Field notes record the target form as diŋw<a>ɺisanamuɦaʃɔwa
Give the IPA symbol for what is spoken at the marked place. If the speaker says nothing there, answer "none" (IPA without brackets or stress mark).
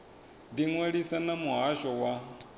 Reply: e